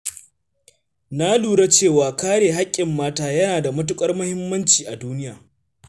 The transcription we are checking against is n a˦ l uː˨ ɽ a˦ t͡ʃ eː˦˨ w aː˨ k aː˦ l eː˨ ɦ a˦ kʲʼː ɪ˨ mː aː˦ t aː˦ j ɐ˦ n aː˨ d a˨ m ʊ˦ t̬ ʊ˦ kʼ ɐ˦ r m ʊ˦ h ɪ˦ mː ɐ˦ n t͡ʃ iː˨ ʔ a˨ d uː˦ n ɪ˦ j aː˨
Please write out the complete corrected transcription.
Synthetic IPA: n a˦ l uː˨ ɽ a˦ t͡ʃ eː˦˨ w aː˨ k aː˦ ɽ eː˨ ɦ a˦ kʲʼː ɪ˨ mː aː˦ t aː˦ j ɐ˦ n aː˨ d a˨ m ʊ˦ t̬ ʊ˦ kʼ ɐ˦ r m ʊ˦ h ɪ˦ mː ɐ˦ n t͡ʃ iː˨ ʔ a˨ d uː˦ n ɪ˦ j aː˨